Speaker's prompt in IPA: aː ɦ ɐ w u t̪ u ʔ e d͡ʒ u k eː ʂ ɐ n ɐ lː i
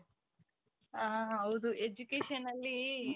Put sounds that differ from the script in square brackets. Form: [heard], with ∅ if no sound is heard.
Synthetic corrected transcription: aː ɦ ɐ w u [d̪] u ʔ e d͡ʒ u k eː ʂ ɐ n ɐ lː i

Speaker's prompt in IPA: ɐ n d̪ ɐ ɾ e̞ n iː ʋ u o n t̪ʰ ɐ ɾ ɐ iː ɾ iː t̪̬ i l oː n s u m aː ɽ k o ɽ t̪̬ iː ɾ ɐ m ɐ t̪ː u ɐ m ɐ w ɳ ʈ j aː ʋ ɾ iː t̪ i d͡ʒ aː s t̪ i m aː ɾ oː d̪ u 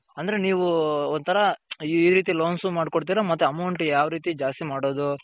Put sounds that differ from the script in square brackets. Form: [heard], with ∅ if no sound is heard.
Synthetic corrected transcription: ɐ n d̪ ɐ ɾ e̞ n iː ʋ u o n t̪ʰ ɐ ɾ ɐ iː ɾ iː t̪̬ i l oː n s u m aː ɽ k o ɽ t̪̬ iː ɾ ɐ m ɐ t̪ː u ɐ m ɐ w ɳ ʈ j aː ʋ ɾ iː t̪ i d͡ʒ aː s t̪ i m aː [ɽ] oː d̪ u

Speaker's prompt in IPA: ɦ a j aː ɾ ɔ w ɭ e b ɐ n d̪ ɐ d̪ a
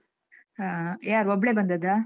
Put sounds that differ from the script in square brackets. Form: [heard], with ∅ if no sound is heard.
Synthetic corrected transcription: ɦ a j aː ɾ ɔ [b] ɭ e b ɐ n d̪ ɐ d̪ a

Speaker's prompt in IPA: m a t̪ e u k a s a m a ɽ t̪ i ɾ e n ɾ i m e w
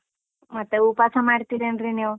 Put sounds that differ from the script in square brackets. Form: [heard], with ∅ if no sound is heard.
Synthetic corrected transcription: m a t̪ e u [p] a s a m a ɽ t̪ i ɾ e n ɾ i [n] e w

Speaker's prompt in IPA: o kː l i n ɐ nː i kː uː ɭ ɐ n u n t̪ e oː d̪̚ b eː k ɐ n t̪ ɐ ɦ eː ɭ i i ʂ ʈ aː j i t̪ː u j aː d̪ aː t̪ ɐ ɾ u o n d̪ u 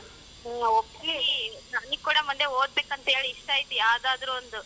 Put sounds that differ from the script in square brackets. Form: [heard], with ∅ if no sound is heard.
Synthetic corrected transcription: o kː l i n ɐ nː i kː uː [ɽ] ɐ [m] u n [d̪] e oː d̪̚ b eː k ɐ n t̪ ɐ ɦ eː ɭ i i ʂ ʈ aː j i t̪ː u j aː d̪ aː [d̪] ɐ ɾ u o n d̪ u

